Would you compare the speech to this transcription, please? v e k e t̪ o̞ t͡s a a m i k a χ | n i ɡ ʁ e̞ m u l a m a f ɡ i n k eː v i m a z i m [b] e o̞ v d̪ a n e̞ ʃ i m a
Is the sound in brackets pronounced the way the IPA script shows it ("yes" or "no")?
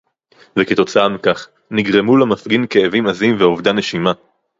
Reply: no